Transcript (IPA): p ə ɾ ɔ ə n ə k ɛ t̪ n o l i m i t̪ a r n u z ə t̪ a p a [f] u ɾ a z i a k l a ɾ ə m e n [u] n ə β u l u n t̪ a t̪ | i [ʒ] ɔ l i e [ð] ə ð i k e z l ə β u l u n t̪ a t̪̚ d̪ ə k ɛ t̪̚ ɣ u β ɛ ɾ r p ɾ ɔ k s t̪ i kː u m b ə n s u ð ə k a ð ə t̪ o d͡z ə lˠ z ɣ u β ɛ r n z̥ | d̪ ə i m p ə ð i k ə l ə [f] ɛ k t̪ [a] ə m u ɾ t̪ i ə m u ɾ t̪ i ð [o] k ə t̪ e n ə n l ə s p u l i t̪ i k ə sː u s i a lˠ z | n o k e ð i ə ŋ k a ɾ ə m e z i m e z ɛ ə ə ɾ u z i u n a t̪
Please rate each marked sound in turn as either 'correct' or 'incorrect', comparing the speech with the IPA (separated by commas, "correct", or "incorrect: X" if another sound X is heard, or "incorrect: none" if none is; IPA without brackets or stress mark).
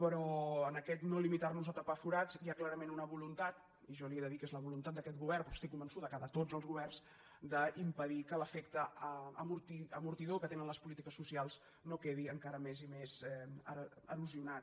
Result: correct, correct, correct, correct, correct, incorrect: ə, correct